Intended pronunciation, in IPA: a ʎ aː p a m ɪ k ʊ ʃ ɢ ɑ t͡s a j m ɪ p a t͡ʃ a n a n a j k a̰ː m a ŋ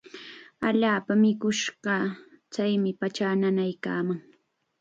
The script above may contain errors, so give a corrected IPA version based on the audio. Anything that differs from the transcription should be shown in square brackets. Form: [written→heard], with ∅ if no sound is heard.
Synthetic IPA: a ʎ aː p a m ɪ k ʊ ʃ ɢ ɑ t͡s a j m ɪ p a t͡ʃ a n a n a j k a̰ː m a ŋ